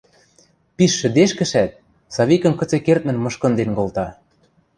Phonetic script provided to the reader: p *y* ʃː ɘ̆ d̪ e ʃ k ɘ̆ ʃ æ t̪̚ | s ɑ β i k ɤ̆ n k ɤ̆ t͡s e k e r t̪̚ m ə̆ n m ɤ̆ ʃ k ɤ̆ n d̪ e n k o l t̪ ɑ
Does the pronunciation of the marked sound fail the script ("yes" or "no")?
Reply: yes